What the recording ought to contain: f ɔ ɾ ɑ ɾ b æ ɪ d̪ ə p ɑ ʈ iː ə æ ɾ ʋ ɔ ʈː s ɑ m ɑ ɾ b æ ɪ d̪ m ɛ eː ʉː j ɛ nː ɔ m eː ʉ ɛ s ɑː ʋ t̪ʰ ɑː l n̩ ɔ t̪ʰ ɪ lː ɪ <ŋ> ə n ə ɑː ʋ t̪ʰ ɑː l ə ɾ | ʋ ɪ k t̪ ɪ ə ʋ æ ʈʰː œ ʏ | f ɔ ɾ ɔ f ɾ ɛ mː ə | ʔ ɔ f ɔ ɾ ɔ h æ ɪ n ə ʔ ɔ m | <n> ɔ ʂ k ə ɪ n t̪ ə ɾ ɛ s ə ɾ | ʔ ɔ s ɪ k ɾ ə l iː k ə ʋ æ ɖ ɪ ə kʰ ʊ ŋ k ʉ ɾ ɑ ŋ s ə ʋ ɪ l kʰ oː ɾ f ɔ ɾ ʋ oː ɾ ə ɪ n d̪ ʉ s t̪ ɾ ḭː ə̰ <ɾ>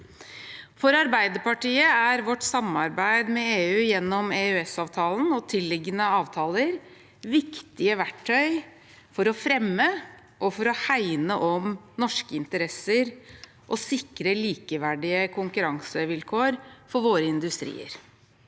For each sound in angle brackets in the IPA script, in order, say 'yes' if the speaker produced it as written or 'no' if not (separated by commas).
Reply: no, yes, yes